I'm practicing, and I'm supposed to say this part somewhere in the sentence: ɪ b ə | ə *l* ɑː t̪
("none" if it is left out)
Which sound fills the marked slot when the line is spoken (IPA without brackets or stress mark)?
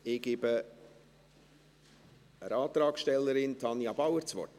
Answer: ɾ